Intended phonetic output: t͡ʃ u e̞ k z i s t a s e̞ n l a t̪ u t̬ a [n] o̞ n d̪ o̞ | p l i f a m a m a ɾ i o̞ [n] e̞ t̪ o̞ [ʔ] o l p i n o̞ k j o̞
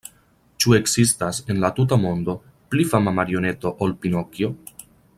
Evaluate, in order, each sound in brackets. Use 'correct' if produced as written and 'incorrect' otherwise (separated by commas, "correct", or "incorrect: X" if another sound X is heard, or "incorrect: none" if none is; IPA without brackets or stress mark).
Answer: incorrect: m, correct, correct